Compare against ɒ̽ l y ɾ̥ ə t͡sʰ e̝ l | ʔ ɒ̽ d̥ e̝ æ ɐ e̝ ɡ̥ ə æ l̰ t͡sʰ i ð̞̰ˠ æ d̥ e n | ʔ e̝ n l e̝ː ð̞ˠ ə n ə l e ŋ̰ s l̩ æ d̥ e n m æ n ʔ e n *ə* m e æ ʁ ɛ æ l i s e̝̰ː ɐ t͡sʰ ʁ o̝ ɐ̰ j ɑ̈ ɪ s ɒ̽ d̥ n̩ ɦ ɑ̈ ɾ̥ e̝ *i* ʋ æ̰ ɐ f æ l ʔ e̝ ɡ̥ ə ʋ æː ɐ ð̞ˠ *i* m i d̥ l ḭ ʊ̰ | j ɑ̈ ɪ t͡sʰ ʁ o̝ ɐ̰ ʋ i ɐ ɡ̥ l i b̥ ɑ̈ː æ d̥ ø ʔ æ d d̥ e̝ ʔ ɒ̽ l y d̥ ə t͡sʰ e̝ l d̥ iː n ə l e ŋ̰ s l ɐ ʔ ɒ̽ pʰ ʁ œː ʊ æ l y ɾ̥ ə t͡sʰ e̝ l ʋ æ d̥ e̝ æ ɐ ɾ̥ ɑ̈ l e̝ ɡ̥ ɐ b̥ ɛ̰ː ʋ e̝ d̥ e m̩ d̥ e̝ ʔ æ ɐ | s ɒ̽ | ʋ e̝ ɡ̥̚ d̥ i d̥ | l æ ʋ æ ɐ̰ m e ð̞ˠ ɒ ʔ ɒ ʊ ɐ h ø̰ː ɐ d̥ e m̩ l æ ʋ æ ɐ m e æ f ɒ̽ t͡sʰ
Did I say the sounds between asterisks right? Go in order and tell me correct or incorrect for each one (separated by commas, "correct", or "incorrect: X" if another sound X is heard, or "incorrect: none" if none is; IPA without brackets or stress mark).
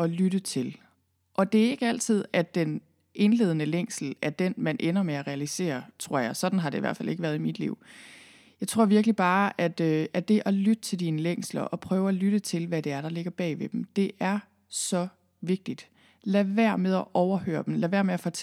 incorrect: ɐ, correct, correct